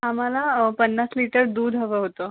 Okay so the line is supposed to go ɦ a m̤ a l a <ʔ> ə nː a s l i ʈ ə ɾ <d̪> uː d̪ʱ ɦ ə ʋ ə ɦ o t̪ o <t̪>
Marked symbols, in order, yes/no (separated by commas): no, yes, no